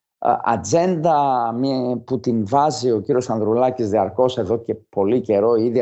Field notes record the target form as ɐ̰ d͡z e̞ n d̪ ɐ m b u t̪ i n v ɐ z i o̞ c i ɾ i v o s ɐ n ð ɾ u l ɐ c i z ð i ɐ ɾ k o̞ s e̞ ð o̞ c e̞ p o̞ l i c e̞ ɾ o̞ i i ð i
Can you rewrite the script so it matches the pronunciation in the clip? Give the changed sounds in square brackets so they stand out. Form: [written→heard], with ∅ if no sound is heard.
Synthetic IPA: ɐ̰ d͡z e̞ n d̪ ɐ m [b→p] u t̪ i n v ɐ z i o̞ c i ɾ i [v→∅] o s ɐ n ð ɾ u l ɐ c i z ð i ɐ ɾ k o̞ s e̞ ð o̞ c e̞ p o̞ l i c e̞ ɾ o̞ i i ð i